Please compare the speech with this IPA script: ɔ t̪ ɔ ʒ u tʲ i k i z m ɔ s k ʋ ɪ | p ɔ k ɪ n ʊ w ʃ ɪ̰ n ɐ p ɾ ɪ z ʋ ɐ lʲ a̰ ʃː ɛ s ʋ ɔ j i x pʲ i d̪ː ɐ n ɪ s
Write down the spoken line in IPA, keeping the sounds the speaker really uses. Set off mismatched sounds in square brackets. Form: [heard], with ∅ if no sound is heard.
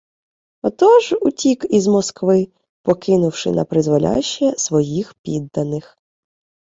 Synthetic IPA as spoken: ɔ t̪ ɔ ʒ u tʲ i k i z m ɔ s k ʋ ɪ | p ɔ k ɪ n ʊ w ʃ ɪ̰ n ɐ p ɾ ɪ z ʋ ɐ lʲ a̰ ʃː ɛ s ʋ ɔ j i x pʲ i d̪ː ɐ n ɪ [x]